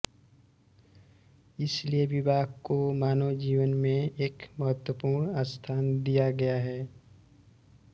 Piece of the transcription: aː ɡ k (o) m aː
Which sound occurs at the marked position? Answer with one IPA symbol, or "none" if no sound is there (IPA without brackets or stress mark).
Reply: o